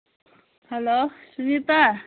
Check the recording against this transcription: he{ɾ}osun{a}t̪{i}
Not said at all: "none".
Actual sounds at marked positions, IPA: l, i, a

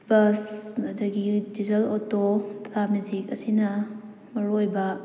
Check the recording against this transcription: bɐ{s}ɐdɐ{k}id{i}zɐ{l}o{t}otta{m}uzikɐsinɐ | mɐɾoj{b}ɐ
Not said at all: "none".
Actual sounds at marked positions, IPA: s, ɡ, i, l, t, m, b

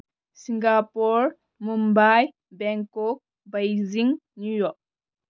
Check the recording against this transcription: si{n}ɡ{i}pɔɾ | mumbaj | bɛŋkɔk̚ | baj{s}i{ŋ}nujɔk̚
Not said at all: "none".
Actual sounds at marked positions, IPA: ŋ, a, z, ŋ

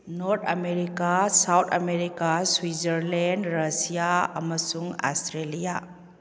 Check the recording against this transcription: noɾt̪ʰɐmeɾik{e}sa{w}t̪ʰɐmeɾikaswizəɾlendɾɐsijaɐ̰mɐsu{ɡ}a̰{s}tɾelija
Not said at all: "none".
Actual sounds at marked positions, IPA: a, w, ŋ, s

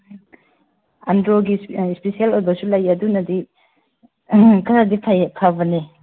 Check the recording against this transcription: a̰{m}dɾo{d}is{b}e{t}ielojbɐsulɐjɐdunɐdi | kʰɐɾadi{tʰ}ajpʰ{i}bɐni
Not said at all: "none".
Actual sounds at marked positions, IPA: n, ɡ, p, s, pʰ, a

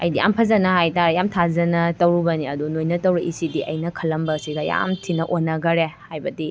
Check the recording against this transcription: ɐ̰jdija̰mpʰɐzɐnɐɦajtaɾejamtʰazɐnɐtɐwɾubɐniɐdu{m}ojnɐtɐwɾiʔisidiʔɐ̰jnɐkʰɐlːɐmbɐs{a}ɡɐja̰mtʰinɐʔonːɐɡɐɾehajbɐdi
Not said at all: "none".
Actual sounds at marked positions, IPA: n, i

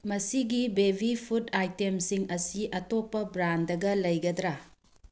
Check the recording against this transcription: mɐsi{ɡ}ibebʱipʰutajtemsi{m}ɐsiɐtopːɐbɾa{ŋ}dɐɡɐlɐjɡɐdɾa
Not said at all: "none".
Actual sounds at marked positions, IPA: ɡ, ŋ, n

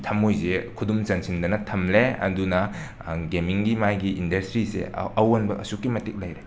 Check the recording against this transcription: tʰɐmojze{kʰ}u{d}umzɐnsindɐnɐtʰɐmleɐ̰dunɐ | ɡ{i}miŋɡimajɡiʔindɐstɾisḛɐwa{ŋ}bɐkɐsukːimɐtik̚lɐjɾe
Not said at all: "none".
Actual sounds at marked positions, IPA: kʰ, d, e, n

